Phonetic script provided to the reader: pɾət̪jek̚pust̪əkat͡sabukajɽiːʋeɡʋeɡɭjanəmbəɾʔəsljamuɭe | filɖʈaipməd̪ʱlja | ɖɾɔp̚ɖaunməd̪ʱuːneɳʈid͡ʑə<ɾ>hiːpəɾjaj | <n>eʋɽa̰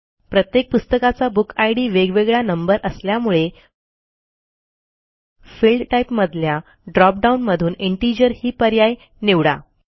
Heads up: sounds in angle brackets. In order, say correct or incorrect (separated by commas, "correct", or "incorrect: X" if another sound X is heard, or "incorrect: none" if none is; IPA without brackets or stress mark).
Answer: correct, correct